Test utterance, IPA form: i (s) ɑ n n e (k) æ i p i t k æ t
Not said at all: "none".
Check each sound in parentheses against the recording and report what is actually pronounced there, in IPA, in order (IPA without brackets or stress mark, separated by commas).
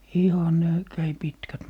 h, k